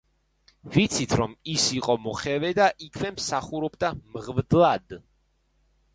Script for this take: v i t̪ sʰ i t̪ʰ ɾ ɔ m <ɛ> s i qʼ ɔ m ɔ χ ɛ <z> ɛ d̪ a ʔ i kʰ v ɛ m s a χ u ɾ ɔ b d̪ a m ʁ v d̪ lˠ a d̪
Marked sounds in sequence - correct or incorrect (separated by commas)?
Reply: incorrect, incorrect